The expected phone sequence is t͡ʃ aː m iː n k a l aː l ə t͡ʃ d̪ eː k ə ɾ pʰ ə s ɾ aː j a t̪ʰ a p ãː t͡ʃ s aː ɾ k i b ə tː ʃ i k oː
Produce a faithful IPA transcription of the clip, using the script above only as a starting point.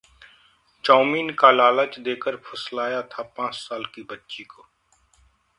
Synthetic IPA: t͡ʃ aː m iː n k a l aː l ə t͡ʃ d̪ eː k ə ɾ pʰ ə s l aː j a t̪ʰ a p ãː t͡ʃ s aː l k i b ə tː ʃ i k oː